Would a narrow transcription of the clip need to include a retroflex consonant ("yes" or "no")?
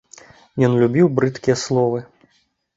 no